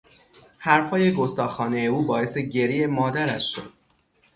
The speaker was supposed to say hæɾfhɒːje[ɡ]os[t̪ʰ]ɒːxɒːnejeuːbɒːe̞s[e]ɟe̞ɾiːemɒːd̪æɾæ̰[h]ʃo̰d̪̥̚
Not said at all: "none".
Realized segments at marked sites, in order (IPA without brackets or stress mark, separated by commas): ɡ, t̪, e, ʃ